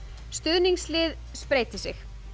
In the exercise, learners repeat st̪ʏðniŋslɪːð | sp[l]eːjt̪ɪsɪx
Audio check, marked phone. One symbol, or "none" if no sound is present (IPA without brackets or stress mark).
ɾ